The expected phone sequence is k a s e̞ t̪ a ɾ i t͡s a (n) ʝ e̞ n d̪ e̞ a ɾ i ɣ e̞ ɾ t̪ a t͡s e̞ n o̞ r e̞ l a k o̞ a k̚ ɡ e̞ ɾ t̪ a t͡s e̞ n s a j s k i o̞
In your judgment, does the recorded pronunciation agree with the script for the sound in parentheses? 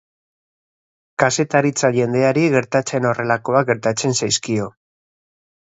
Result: no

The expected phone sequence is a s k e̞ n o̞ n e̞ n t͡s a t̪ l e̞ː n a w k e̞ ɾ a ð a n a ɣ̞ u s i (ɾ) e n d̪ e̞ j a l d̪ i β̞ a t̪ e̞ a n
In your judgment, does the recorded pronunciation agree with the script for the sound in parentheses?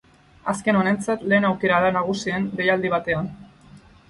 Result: no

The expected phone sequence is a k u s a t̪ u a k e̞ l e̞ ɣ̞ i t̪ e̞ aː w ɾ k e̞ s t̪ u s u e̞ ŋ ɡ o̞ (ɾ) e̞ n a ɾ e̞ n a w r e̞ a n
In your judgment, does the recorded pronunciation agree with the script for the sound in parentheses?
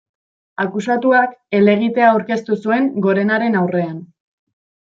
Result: yes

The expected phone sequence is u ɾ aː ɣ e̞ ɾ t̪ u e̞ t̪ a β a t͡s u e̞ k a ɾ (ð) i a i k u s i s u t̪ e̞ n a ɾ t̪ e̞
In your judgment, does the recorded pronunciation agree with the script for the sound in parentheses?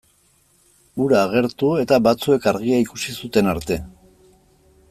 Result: no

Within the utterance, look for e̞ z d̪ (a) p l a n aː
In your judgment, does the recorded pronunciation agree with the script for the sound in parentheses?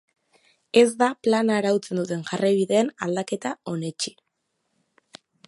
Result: yes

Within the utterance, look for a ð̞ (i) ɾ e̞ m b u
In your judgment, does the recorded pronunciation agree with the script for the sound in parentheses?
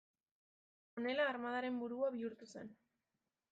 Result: no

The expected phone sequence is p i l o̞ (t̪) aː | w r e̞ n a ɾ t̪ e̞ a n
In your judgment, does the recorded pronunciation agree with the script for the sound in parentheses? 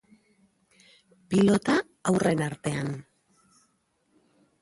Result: yes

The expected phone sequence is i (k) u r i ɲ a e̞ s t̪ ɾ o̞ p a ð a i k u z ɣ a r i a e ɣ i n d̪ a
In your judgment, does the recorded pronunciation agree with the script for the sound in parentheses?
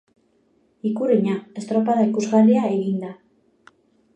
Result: yes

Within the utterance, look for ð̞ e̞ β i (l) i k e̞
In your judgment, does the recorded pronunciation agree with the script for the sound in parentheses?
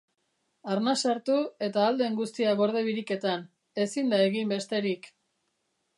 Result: no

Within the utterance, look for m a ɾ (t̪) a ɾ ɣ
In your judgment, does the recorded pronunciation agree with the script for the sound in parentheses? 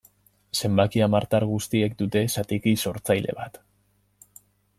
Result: yes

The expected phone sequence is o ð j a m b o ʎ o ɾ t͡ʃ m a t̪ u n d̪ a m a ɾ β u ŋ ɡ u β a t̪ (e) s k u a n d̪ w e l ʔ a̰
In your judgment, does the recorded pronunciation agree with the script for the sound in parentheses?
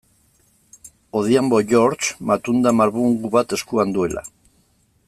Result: yes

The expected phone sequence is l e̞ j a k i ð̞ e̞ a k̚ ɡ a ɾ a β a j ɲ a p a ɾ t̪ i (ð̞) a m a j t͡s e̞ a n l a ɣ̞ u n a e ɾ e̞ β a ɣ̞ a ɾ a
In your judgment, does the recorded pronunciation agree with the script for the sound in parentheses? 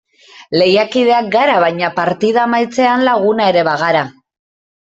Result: yes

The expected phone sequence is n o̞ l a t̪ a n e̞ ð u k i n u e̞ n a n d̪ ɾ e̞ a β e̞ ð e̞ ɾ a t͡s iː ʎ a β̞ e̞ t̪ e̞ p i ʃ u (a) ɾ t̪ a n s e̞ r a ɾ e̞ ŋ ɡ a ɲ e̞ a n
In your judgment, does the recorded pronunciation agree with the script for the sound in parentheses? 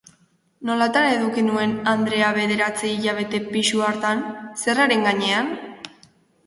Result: yes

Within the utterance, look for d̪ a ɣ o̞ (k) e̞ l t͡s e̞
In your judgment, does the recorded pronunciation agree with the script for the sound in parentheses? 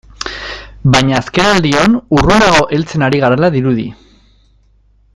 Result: no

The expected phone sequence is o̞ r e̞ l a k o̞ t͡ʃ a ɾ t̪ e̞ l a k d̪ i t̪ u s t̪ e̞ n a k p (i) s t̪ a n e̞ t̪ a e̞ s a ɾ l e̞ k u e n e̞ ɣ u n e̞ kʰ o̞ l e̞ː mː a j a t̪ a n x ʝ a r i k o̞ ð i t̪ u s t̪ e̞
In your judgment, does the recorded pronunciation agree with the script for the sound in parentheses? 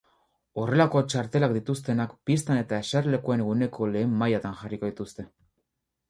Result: yes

